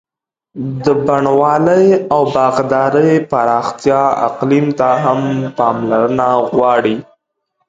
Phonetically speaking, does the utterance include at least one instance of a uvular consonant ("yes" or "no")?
yes